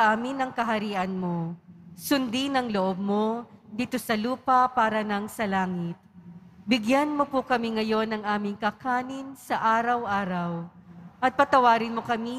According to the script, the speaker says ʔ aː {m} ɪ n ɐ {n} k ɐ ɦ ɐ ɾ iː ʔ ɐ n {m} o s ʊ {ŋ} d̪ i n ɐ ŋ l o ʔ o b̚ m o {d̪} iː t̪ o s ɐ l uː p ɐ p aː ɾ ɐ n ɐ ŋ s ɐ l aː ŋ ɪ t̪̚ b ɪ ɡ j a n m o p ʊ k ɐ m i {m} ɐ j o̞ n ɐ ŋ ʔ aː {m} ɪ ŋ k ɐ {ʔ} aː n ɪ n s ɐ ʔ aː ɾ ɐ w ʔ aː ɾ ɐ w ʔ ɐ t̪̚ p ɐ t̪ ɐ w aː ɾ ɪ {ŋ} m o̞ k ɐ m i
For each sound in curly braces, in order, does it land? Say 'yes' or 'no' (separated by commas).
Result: yes, no, yes, no, yes, no, yes, no, no